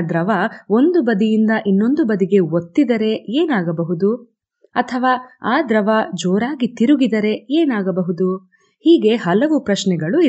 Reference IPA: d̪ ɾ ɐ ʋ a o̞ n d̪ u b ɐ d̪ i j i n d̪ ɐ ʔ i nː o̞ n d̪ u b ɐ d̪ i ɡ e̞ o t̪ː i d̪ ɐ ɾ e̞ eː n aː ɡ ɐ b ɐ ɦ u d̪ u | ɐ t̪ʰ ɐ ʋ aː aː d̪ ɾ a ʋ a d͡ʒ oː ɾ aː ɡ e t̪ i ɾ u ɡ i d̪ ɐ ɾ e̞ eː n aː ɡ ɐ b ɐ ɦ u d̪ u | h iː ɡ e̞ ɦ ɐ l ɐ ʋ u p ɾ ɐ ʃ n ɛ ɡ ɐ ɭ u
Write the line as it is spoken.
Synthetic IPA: d̪ ɾ ɐ ʋ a o̞ n d̪ u b ɐ d̪ i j i n d̪ ɐ ʔ i nː o̞ n d̪ u b ɐ d̪ i ɡ e̞ o t̪ː i d̪ ɐ ɾ e̞ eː n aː ɡ ɐ b ɐ ɦ u d̪ u | ɐ t̪ʰ ɐ ʋ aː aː d̪ ɾ ɐ ʋ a d͡ʒ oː ɾ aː ɡ i t̪ i ɾ u ɡ i d̪ ɐ ɾ e̞ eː n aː ɡ ɐ b ɐ ɦ u d̪ u | h iː ɡ e̞ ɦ ɐ l ɐ ʋ u p ɾ ɐ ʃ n ɛ ɡ ɐ ɭ u